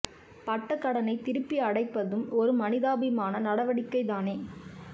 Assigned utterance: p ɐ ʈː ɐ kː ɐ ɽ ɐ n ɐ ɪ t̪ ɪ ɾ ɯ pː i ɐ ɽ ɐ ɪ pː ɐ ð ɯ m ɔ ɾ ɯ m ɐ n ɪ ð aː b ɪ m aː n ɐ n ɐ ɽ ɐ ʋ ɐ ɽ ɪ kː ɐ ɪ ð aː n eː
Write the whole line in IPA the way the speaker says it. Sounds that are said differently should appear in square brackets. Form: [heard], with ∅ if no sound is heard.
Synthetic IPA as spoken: p ɐ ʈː ɐ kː ɐ ɽ ɐ n ɐ ɪ t̪ ɪ ɾ ɯ pː i ɐ ɽ ɐ ɪ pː ɐ ð ɯ m ɔ ɾ ɯ m ɐ n ɪ ð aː b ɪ m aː n ɐ n ɐ ɽ ɐ ʋ ɐ ɽ ɪ kː ɐ ɪ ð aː n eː